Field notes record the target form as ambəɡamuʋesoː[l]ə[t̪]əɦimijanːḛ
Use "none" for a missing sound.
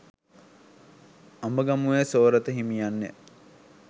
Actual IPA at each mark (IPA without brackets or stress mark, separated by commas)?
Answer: ɾ, t̪